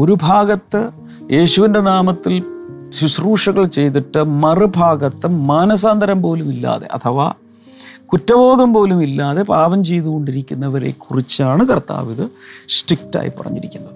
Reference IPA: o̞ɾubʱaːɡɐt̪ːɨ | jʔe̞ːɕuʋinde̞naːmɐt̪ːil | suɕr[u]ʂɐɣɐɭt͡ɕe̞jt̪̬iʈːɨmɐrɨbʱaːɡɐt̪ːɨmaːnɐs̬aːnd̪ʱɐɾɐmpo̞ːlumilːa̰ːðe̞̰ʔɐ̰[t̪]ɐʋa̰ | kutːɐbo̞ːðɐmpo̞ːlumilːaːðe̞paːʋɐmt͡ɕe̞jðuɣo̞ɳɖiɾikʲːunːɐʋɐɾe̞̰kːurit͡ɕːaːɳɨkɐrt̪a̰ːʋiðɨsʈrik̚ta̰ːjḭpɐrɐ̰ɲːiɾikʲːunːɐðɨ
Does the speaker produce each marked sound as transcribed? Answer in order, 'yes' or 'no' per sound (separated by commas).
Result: no, no